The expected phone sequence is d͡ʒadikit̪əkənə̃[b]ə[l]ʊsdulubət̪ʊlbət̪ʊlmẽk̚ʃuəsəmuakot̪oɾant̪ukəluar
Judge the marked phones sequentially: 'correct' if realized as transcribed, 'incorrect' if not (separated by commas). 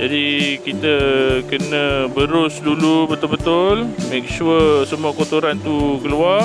correct, incorrect